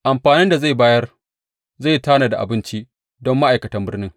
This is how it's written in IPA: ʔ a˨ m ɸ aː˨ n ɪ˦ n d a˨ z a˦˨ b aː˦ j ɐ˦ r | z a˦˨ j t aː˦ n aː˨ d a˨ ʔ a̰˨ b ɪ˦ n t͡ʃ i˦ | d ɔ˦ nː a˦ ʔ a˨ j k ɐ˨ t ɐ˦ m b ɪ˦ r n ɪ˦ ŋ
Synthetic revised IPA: ʔ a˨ m ɸ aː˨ n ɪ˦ n d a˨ z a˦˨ b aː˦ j ɐ˦ r | z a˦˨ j t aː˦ n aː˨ d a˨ ʔ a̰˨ b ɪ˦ n t͡ʃ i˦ | d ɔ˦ mː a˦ ʔ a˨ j k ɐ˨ t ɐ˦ m b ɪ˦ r n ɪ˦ ŋ